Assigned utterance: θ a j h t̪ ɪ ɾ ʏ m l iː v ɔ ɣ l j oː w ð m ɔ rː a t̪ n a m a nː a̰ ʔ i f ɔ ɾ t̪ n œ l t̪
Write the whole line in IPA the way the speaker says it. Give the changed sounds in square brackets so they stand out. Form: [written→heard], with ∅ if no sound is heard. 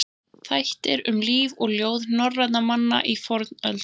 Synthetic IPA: θ a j h t̪ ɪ ɾ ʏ m l iː v ɔ ɣ l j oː w ð [m→n] ɔ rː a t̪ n a m a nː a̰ ʔ i f ɔ ɾ t̪ n œ l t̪